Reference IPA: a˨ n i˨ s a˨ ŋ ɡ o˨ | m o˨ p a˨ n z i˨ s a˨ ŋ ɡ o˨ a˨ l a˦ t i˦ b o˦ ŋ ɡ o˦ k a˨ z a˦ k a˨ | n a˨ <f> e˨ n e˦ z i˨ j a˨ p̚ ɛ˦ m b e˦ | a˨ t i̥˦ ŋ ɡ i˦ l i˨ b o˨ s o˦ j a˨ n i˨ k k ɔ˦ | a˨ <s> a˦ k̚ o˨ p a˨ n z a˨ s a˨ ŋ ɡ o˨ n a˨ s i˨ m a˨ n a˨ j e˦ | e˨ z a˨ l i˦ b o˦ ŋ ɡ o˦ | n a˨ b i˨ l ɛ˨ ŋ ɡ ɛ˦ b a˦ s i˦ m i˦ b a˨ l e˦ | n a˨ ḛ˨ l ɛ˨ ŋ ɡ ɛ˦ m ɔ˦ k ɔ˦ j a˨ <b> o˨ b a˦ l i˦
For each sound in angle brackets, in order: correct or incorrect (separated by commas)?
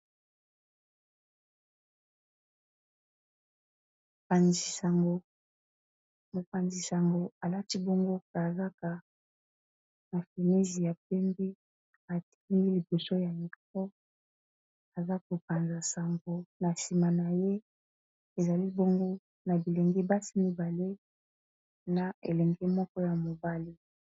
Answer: correct, incorrect, incorrect